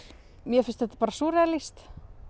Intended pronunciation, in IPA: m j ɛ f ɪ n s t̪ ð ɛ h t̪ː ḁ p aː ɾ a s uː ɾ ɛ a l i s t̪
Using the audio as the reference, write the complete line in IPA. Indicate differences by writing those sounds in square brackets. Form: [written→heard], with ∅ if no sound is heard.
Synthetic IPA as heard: m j ɛ f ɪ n s t̪ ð ɛ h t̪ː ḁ p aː ɾ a s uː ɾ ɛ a l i s t̪